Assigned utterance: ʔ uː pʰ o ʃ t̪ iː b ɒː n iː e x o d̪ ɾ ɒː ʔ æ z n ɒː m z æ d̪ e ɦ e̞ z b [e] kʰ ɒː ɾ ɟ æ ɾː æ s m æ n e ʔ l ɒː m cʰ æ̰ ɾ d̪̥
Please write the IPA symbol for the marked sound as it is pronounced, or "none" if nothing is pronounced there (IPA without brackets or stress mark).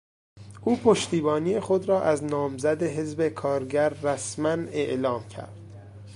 e